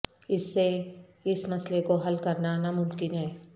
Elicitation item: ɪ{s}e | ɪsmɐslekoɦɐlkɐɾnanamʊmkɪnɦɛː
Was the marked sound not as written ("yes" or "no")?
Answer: yes